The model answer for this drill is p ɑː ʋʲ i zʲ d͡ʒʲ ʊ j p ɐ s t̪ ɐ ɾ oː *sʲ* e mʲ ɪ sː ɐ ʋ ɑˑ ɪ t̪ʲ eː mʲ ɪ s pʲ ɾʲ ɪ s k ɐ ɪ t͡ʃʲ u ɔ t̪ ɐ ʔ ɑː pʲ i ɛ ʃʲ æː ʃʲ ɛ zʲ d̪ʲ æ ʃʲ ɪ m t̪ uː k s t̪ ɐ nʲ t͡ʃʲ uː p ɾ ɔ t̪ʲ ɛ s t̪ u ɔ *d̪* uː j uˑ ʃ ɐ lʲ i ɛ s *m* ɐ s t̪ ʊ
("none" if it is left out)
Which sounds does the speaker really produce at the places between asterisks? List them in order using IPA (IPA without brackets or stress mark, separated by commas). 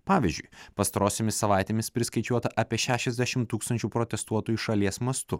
sʲ, t̪, m